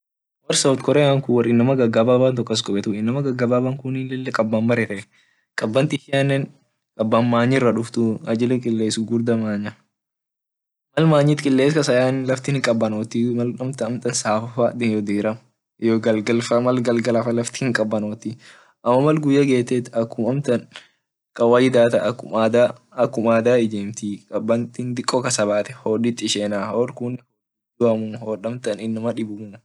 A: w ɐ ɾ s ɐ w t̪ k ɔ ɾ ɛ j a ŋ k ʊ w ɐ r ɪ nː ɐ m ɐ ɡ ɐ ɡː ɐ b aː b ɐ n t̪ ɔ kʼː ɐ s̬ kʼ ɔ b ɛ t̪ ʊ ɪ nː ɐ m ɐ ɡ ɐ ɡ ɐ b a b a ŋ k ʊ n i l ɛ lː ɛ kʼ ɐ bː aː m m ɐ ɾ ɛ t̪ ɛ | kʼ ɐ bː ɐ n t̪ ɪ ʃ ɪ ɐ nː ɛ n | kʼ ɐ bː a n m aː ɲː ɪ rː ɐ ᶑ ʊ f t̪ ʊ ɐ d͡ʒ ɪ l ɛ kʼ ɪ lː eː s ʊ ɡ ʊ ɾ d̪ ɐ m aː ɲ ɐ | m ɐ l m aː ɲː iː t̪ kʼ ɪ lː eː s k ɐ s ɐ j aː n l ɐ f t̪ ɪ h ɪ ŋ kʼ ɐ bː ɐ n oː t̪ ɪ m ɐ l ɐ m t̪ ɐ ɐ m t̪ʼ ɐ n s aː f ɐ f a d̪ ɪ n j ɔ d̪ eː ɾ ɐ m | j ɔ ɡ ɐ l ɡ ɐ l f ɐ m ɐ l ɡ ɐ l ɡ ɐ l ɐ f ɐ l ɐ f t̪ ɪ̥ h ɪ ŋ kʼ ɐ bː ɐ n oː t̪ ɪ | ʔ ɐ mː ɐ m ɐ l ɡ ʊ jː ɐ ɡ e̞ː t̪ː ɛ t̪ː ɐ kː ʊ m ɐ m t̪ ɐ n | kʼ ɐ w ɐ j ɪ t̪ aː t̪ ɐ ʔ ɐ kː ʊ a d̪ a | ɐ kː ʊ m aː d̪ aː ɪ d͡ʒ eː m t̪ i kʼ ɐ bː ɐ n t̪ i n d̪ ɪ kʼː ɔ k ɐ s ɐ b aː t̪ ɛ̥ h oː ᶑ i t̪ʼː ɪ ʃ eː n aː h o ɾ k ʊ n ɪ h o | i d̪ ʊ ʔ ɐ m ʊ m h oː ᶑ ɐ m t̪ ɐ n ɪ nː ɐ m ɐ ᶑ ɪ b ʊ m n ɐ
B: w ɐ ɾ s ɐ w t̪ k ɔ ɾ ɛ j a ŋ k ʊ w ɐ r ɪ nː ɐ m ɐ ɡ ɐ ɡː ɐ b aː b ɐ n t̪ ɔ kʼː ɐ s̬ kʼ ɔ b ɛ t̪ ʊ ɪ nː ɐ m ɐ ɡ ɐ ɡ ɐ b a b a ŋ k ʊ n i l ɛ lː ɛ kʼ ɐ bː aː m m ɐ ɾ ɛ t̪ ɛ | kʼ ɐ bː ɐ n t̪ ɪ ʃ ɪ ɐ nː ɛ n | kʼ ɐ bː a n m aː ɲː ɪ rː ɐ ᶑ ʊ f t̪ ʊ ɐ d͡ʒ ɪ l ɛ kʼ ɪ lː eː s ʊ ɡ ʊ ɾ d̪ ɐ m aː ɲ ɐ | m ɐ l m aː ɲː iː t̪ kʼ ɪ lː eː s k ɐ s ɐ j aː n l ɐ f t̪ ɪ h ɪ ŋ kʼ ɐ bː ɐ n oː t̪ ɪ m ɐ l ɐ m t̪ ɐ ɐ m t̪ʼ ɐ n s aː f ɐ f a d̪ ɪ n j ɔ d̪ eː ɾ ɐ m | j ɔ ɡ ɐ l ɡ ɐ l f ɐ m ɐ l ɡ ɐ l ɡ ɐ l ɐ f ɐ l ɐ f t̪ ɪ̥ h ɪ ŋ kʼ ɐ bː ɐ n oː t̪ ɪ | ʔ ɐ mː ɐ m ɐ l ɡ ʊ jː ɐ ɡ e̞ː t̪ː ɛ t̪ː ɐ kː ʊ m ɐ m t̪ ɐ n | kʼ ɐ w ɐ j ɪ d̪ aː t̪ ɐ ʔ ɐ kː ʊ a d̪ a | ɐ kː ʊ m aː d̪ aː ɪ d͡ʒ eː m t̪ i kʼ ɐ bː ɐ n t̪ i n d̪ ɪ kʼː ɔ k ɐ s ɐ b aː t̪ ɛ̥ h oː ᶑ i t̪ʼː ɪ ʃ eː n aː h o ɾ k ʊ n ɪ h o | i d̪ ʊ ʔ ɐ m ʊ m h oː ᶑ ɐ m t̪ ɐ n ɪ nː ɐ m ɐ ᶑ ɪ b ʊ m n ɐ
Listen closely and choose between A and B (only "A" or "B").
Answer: B